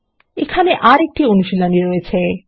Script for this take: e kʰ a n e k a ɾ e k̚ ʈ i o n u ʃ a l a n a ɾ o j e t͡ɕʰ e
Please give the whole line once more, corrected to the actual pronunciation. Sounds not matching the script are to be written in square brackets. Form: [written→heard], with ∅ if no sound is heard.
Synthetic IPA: e kʰ a n e [k→ʔ] a ɾ e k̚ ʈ i o n u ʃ [a→i] l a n [a→i] ɾ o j e t͡ɕʰ e